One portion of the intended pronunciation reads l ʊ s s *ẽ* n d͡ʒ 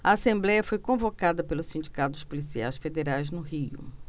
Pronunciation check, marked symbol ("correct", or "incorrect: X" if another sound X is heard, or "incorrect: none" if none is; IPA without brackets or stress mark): incorrect: ĩ